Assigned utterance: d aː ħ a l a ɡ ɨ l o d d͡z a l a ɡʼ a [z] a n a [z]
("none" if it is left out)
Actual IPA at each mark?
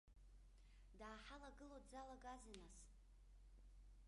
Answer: z, s

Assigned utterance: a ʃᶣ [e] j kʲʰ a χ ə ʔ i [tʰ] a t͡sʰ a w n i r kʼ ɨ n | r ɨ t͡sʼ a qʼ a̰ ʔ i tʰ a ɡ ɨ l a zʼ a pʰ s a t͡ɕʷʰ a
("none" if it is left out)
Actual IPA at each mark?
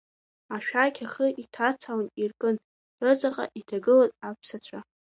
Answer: a, tʰ

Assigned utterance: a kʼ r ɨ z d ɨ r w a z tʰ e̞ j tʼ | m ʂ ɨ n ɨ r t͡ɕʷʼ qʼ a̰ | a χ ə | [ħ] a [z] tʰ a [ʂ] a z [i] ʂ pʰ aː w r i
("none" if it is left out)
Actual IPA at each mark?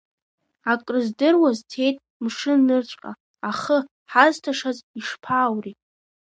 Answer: ħ, z, ʂ, i

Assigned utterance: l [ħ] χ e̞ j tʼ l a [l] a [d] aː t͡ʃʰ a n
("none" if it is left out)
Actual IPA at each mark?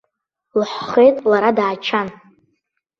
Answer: ħ, ɾ, d

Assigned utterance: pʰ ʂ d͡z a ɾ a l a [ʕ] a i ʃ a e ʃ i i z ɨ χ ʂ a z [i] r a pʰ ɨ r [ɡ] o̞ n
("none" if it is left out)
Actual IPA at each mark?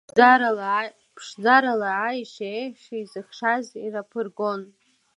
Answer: ʕ, i, ɡ

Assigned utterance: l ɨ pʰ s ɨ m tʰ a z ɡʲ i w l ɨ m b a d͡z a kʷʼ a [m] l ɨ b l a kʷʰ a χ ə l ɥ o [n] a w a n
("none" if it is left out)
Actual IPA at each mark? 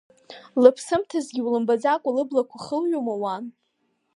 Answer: none, m

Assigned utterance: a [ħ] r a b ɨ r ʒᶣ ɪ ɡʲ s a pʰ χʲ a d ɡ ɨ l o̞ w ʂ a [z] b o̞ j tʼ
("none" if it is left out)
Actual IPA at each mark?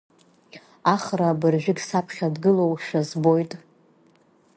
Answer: χ, z

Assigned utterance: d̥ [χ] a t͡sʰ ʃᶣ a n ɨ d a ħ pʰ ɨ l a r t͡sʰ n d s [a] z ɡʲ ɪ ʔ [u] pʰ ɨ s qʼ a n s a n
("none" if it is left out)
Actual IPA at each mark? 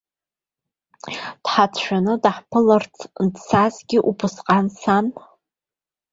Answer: ħ, a, u

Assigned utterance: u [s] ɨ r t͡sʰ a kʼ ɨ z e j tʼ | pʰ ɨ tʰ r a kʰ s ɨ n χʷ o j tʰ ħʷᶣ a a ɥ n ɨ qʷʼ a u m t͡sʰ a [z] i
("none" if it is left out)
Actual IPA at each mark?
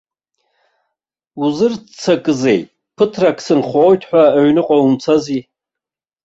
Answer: z, z

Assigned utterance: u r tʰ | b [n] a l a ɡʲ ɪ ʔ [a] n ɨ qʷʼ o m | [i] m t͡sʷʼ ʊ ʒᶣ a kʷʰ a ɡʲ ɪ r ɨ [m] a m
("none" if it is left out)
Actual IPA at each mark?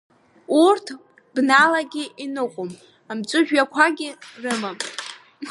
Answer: n, i, a, m

